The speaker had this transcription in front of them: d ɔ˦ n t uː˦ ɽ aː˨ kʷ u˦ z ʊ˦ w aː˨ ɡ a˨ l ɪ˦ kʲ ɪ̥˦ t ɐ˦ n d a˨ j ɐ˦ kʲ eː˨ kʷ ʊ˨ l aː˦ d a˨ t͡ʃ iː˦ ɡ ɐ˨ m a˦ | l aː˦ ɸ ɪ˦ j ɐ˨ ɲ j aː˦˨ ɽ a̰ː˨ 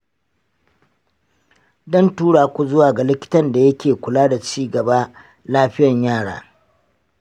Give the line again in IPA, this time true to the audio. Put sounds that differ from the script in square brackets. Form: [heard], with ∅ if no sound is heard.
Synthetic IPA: d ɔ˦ n t uː˦ ɽ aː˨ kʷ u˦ z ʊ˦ w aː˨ ɡ a˨ l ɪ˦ kʲ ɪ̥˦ t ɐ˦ n d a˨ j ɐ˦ kʲ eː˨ kʷ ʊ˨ l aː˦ d a˨ t͡ʃ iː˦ ɡ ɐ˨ [b] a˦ | l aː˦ ɸ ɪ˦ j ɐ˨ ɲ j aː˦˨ ɽ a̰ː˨